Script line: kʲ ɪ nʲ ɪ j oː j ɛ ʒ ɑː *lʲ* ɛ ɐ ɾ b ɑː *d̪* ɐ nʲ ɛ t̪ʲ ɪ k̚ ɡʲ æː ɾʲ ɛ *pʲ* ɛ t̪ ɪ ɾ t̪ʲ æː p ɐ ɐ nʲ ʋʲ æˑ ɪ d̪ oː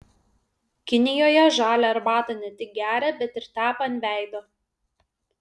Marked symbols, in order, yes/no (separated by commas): yes, no, no